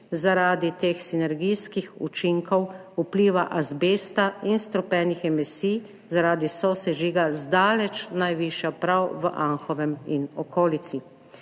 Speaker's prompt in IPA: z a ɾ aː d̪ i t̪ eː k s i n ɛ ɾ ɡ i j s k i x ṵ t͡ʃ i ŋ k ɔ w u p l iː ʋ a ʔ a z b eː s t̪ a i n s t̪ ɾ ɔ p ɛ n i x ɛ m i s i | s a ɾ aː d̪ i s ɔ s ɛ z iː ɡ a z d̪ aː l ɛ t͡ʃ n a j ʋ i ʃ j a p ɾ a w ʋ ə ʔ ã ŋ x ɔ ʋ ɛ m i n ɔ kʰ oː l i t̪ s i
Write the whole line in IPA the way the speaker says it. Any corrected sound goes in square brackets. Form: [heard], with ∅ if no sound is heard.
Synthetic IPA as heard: z a ɾ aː d̪ i t̪ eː [x] s i n ɛ ɾ ɡ i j s k i x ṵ t͡ʃ i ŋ k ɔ w u p l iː ʋ a ʔ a z b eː s t̪ a i n s t̪ ɾ ɔ p ɛ n i x ɛ m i s i | [z] a ɾ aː d̪ i s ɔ s ɛ [ʒ] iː ɡ a z d̪ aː l ɛ t͡ʃ n a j ʋ i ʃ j a p ɾ a w ʋ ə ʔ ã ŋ x ɔ ʋ ɛ m i n ɔ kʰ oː l i t̪ s i